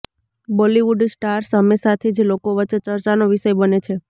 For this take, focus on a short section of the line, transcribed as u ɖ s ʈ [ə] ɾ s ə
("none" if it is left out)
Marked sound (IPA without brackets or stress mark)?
a